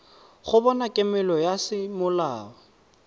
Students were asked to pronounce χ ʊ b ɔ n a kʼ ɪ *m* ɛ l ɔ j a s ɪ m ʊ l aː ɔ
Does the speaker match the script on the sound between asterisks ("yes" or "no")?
yes